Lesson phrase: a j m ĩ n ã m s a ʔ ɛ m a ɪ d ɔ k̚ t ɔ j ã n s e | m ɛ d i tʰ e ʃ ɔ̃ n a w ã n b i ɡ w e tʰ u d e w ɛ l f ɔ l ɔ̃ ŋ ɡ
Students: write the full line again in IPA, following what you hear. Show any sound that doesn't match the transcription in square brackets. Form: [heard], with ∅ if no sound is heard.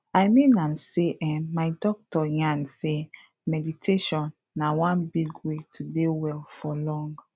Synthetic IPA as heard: a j m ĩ n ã m s [e] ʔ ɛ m a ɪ d ɔ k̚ t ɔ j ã n s e | m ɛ d i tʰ e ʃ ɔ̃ [nː] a w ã n b i ɡ w e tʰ u d e w ɛ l f ɔ l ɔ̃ ŋ ɡ